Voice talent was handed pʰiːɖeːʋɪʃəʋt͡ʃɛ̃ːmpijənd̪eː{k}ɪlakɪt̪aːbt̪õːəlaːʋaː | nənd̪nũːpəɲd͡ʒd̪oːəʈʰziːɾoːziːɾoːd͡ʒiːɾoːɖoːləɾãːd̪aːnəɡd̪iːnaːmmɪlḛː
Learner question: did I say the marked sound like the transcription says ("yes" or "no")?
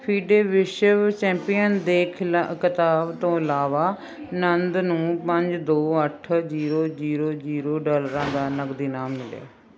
no